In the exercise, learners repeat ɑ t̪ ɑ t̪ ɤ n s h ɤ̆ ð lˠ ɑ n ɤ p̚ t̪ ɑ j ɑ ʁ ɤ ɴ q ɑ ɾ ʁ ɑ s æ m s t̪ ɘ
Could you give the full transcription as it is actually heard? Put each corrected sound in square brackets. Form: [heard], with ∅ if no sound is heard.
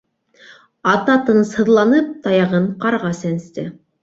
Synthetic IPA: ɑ t̪ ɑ t̪ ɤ n s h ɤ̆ ð lˠ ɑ n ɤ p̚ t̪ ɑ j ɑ ʁ ɤ ɴ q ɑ ɾ ʁ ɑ s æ [n] s t̪ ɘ